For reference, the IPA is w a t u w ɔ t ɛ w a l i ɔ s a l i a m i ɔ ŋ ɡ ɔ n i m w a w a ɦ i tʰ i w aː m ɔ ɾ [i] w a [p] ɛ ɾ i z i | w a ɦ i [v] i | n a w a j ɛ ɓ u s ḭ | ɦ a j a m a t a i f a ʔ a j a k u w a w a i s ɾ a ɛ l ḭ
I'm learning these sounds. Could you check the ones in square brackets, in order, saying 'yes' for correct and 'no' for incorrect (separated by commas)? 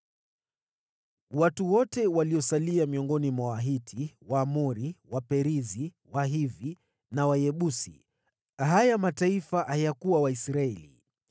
yes, yes, yes